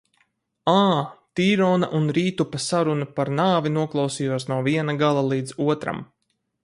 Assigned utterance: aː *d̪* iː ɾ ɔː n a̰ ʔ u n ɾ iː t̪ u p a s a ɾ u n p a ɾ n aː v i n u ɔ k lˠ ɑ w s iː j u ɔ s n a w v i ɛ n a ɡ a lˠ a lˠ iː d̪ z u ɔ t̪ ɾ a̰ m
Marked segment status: incorrect: t̪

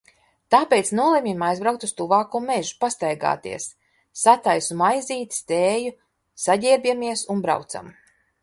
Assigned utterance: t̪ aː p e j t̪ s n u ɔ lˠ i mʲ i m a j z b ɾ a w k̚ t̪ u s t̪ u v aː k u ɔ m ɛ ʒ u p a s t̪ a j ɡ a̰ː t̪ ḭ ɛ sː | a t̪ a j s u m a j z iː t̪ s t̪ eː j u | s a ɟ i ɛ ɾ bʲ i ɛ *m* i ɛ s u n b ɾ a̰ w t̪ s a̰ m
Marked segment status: correct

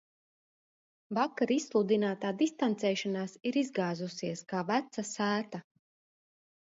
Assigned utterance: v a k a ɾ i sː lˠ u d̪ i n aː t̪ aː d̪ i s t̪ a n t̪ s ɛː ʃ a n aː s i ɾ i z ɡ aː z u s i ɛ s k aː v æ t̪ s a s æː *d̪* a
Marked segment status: incorrect: t̪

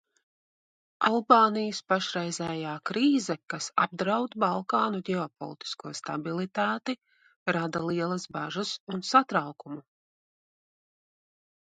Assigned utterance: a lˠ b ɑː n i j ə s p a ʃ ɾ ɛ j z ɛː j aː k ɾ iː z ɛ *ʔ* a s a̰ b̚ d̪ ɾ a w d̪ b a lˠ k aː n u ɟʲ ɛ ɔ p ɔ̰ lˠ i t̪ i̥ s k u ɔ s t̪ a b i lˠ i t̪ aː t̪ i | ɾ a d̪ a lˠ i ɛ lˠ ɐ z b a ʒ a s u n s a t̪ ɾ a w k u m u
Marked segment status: incorrect: k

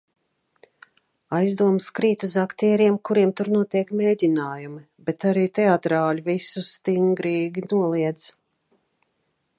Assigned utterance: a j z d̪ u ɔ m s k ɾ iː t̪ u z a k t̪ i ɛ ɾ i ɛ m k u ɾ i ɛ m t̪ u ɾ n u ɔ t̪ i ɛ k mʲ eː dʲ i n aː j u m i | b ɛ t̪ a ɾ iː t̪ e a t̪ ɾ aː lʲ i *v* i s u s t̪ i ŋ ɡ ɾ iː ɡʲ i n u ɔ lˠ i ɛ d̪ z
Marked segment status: correct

